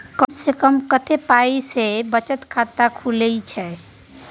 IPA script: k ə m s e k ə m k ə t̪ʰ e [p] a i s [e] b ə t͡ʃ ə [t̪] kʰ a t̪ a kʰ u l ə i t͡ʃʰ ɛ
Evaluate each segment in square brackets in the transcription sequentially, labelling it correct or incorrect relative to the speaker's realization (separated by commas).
correct, correct, correct